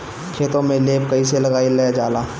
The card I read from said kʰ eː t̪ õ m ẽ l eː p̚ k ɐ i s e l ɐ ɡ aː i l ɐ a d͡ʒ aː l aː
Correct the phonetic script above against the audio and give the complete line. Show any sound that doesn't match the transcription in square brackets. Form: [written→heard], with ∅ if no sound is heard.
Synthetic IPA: kʰ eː t̪ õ m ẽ l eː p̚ k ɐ i s e l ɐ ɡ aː i l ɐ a d͡ʒ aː l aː

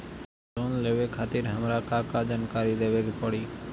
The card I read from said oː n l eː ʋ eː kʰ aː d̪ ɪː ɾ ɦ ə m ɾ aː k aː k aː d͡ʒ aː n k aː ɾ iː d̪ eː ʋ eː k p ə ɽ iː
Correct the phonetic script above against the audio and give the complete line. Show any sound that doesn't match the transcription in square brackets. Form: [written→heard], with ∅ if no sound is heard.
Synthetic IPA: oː n l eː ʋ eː kʰ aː [d̪→t̪] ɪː ɾ ɦ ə m ɾ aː k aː k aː d͡ʒ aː n k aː ɾ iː d̪ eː ʋ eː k p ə ɽ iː

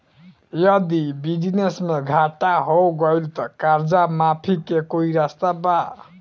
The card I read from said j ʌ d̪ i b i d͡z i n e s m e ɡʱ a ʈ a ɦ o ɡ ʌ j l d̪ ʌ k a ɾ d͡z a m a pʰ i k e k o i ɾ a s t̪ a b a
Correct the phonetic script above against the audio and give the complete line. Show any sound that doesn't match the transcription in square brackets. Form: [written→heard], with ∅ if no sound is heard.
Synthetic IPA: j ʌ d̪ i b i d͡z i n e s m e ɡʱ a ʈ a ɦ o ɡ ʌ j l [d̪→t̪] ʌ k a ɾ d͡z a m a pʰ i k e k o i ɾ a s t̪ a b a

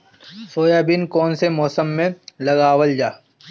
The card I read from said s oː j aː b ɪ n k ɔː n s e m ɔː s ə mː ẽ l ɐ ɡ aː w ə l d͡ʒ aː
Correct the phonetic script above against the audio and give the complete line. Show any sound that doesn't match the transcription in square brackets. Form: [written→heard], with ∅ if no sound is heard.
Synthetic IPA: s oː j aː b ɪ n k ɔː n s e m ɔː s ə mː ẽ l ɐ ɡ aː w ə l d͡ʒ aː

